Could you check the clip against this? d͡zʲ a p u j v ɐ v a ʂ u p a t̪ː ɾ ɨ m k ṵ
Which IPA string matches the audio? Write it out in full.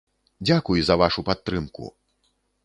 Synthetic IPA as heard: d͡zʲ a k u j z ɐ v a ʂ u p a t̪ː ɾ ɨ m k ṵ